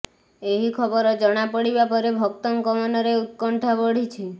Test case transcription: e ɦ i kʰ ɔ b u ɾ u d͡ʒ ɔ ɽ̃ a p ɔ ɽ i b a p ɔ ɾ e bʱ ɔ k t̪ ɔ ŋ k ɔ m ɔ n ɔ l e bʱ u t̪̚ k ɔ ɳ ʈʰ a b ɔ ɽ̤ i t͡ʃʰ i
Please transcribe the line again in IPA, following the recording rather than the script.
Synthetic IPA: e ɦ i kʰ ɔ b ɔ ɾ ɔ d͡ʒ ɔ ɽ̃ a p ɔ ɽ i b a p ɔ ɾ e bʱ ɔ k t̪ ɔ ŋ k ɔ m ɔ n ɔ ɾ e u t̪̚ k ɔ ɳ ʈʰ a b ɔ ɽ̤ i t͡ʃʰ i